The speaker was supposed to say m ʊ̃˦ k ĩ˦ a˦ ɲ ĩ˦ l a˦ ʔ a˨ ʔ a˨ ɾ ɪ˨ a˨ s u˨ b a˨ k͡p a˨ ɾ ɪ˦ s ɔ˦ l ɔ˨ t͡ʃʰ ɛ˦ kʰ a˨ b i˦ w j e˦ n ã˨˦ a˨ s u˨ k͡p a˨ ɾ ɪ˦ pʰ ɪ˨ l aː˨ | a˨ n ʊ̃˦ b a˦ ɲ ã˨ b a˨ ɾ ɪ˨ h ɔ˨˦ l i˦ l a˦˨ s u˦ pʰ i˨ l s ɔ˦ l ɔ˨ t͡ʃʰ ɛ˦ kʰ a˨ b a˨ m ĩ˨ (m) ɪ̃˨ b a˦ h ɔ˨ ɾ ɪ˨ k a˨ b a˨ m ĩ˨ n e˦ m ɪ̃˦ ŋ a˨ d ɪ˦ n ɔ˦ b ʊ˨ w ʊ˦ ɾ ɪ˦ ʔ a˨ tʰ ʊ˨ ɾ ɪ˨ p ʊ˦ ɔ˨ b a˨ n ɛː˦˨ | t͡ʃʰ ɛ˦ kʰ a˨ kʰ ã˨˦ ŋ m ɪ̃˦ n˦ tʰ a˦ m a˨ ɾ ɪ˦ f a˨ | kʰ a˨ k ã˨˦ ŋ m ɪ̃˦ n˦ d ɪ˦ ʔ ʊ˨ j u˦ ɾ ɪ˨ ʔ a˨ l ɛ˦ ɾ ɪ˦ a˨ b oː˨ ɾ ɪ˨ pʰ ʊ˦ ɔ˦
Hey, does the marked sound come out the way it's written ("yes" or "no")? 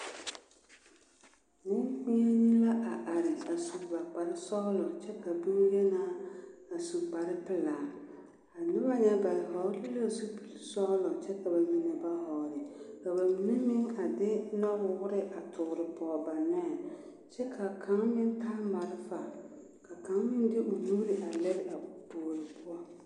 no